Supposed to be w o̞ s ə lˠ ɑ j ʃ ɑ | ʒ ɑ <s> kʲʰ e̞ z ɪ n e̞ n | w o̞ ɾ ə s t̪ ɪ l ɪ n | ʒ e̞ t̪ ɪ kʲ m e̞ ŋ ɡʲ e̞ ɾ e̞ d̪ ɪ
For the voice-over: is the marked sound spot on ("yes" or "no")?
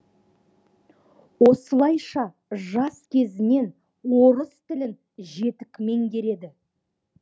yes